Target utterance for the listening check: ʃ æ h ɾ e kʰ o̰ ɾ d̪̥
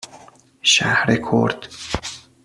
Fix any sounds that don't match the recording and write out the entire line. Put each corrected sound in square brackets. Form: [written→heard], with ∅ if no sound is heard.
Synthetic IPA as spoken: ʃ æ h ɾ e kʰ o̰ ɾ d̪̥